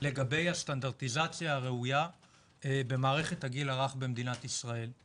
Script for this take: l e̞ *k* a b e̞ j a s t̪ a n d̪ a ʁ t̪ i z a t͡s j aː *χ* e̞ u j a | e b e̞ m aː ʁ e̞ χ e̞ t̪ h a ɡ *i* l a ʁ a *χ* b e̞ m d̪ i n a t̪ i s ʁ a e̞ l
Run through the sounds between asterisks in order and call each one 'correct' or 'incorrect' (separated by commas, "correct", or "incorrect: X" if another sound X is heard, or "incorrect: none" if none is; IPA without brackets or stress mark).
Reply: incorrect: ɡ, incorrect: ʁ, correct, correct